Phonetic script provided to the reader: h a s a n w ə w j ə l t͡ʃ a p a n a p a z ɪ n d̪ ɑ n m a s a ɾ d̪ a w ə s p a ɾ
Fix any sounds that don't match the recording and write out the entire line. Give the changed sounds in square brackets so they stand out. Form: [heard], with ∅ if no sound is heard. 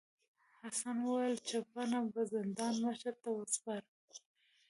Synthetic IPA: h a s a n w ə w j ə l t͡ʃ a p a n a [b] a z ɪ n d̪ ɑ n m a [ʃ] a ɾ [t̪] a w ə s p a ɾ